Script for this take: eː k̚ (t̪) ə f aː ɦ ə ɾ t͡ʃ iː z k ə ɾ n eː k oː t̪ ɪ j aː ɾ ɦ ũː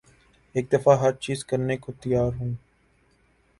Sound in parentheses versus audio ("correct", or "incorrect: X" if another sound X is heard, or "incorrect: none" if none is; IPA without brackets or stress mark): incorrect: d̪